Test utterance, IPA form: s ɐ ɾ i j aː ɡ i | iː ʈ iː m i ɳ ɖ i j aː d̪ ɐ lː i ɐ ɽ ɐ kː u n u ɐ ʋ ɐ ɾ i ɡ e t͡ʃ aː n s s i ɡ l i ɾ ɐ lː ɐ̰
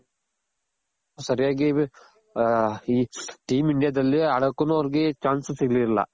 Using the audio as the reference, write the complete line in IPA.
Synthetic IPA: s ɐ ɾ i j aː ɡ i | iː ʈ iː m i ɳ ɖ i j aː d̪ ɐ lː i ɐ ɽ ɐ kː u n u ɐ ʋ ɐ ɾ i ɡ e t͡ʃ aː n s s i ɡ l i ɾ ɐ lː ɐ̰